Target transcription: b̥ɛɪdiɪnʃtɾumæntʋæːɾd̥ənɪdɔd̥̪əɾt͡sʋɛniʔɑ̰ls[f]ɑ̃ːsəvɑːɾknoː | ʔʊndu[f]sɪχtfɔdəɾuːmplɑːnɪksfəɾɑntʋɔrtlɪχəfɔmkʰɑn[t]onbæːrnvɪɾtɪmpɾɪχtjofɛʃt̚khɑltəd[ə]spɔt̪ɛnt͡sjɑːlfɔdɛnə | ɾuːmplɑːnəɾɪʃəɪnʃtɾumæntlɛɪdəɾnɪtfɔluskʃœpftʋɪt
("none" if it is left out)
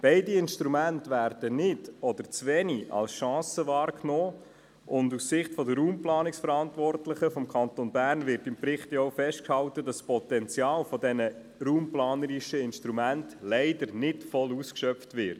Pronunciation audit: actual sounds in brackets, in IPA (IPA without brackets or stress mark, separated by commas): ʃ, s, t, ɑ